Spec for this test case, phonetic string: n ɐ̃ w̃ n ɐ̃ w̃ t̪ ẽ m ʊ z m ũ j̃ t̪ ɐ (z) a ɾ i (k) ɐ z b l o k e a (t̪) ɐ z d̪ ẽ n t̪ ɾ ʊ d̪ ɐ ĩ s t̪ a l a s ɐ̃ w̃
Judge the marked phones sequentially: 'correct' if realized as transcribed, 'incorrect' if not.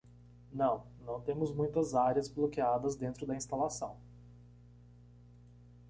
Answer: correct, incorrect, incorrect

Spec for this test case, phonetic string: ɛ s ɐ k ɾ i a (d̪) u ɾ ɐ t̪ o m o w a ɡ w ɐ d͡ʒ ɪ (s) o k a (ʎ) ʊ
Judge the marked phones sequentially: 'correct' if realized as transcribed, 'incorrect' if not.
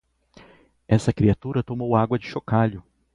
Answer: incorrect, incorrect, correct

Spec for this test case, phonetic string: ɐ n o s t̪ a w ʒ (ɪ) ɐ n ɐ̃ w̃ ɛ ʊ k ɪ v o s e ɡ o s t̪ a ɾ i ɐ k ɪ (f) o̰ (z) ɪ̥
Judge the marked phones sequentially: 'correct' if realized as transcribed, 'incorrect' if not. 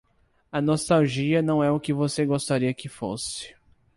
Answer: incorrect, correct, incorrect

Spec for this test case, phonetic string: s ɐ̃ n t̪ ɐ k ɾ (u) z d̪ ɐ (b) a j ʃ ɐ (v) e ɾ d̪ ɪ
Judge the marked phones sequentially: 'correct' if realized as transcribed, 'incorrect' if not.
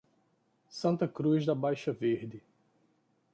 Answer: correct, correct, correct

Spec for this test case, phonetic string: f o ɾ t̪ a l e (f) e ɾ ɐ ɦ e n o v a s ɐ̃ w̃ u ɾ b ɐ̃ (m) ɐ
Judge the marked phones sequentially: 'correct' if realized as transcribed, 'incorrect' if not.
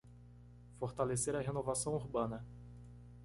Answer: incorrect, incorrect

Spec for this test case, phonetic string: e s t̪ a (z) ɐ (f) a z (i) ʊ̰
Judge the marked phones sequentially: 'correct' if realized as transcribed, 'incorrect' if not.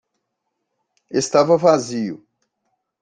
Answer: incorrect, incorrect, correct

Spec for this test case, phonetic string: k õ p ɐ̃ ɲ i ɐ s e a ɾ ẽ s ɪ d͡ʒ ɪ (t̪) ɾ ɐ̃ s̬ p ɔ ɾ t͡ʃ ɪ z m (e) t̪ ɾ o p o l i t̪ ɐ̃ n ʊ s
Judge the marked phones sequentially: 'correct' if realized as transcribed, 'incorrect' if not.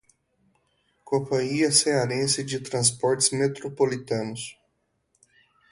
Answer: correct, correct

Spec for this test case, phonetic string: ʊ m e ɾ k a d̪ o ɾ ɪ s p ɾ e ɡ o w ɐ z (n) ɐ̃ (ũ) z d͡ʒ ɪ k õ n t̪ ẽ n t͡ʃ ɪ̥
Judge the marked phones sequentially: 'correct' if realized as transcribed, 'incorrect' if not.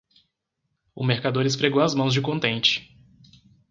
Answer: incorrect, incorrect

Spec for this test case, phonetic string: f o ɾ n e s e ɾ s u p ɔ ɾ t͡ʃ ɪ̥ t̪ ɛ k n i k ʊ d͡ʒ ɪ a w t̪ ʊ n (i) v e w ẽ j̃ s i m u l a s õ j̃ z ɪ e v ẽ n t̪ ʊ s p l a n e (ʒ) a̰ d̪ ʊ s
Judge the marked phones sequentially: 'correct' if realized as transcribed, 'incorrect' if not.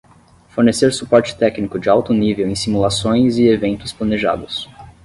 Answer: correct, correct

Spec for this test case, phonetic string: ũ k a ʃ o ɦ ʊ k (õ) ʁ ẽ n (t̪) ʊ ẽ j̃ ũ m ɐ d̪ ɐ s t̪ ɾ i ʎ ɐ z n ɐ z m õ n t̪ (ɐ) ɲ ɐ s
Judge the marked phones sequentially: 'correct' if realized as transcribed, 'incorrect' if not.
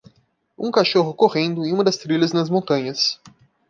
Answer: incorrect, incorrect, incorrect

